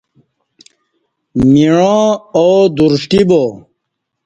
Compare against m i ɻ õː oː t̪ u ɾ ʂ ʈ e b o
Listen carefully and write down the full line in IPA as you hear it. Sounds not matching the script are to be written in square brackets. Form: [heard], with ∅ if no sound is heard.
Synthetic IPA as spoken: m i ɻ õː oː [d̪] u ɾ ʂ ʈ [i] b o